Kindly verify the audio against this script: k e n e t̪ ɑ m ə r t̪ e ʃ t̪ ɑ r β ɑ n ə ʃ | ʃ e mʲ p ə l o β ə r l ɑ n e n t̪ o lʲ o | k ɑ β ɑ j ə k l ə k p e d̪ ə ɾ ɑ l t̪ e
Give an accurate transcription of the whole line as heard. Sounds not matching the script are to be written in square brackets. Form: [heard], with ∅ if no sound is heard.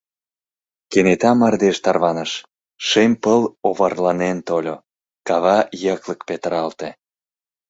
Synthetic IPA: k e n e t̪ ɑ m [ɑ] r [d̪] e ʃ t̪ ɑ r β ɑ n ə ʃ | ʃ e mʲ p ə l o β [ɑ] r l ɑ n e n t̪ o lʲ o | k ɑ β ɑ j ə k l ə k p e [t̪] ə ɾ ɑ l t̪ e